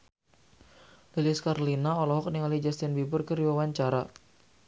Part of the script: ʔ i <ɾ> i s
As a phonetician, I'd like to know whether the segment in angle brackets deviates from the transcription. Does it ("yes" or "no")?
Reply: yes